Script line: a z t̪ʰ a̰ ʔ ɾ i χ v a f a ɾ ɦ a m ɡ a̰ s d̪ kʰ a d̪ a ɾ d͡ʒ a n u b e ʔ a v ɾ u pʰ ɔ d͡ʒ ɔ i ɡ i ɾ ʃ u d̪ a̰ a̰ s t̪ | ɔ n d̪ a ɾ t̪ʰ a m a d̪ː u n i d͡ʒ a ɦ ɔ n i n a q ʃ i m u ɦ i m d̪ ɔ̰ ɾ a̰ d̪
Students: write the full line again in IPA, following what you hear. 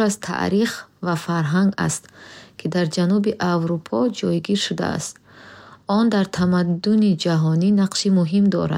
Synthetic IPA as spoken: a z t̪ʰ a̰ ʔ ɾ i χ v a f a ɾ ɦ a ŋ ɡ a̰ s t̪ kʰ i d̪ a ɾ d͡ʒ a n u b i ʔ a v ɾ u pʰ ɔ d͡ʒ ɔ j ɡ i ɾ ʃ u d̪ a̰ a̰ s t̪ | ɔ n d̪ a ɾ t̪ʰ a m a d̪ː u n i d͡ʒ a ɦ ɔ n i n a q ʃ i m u ɦ i m d̪ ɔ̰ ɾ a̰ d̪